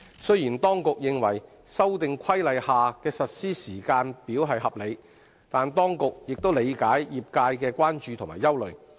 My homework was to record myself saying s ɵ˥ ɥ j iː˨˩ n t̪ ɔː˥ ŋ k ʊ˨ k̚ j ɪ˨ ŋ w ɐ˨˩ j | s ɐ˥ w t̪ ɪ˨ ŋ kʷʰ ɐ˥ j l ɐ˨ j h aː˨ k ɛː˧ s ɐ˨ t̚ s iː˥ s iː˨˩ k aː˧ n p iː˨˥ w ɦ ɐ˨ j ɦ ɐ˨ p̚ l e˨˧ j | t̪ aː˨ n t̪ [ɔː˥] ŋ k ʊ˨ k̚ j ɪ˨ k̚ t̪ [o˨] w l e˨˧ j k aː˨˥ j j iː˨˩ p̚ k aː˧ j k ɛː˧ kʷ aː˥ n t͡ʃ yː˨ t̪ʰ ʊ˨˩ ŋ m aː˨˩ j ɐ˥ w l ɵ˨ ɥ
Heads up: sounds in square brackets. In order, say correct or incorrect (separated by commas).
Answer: correct, incorrect